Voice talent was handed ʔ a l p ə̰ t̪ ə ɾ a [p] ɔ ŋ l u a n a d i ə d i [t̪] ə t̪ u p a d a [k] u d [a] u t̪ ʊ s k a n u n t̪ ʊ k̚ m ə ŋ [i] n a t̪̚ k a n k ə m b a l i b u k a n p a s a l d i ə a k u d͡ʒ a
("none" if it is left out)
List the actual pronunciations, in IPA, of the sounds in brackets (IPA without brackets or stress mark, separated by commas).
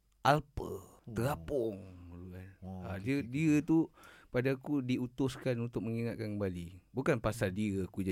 p, none, k, i, i